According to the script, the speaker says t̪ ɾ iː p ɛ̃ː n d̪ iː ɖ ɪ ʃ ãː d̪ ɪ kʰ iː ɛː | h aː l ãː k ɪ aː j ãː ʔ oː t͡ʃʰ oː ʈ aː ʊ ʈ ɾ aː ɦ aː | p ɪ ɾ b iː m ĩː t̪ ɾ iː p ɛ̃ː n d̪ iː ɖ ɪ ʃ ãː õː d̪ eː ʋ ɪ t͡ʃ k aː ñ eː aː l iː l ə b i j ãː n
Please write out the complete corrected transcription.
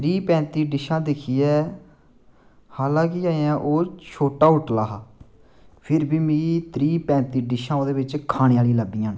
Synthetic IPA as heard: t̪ ɾ iː p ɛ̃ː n t̪ iː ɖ ɪ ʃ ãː d̪ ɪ kʰ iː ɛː | h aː l ãː k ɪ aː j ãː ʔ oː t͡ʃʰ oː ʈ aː ʊ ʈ l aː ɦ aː | pʰ ɪ ɾ b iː m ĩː t̪ ɾ iː p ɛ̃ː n t̪ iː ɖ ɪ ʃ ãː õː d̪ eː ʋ ɪ t͡ʃ kʰ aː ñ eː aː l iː l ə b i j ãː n

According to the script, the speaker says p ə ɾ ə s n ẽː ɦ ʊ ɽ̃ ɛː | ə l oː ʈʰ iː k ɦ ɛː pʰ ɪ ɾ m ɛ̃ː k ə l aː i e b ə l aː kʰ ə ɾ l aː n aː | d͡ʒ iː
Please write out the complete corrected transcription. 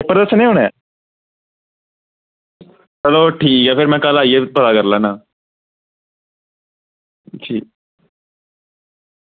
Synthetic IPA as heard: p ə ɾ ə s n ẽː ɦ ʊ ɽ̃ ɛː | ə l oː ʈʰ iː k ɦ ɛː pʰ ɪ ɾ m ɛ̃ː k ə l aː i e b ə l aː k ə ɾ l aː n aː | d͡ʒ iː

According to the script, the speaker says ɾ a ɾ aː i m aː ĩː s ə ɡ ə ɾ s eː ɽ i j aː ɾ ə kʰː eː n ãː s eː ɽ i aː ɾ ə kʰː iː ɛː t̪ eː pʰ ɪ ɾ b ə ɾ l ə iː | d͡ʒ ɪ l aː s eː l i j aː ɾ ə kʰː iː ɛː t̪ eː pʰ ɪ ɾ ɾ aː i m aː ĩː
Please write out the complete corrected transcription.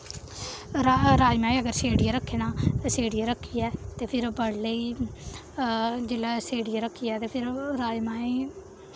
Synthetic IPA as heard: ɾ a ɾ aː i m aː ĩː ə ɡ ə ɾ s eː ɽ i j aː ɾ ə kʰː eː n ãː s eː ɽ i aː ɾ ə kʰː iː ɛː t̪ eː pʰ ɪ ɾ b ə ɽ l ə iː | d͡ʒ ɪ l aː s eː ɽ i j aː ɾ ə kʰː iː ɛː t̪ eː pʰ ɪ ɾ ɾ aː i m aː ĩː

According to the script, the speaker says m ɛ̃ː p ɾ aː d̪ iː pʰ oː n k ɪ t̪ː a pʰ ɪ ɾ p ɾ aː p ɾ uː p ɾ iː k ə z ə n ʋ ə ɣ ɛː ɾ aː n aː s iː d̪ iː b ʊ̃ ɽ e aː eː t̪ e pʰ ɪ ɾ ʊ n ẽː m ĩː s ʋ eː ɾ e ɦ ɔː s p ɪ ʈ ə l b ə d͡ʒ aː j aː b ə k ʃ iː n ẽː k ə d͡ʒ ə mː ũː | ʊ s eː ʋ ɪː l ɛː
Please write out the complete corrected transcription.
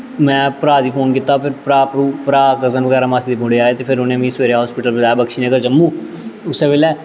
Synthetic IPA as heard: m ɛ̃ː p ɾ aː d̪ iː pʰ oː n k ɪ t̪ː a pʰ ɪ ɾ p ɾ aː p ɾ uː p ɾ aː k ə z ə n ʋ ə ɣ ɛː ɾ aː m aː s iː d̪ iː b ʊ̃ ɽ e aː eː t̪ e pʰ ɪ ɾ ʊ n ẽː m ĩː s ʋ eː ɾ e ɦ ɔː s p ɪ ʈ ə l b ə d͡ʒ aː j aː b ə k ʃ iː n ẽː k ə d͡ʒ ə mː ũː | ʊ s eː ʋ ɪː l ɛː

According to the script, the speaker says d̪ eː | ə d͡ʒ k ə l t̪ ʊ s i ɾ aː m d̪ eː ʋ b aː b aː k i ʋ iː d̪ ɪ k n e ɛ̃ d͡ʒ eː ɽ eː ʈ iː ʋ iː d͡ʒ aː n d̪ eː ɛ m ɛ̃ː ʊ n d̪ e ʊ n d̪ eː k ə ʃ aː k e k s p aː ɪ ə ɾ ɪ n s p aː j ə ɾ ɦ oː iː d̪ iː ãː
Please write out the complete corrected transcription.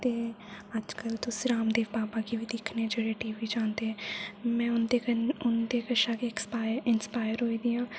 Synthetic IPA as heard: t̪ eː | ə d͡ʒ k ə l t̪ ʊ s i ɾ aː m d̪ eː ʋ b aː b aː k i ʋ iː d̪ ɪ kʰ n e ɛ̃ d͡ʒ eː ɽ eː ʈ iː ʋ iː d͡ʒ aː n d̪ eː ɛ m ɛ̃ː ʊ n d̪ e ʊ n d̪ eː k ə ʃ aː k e k s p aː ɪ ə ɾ ɪ n s p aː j ə ɾ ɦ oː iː d̪ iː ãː

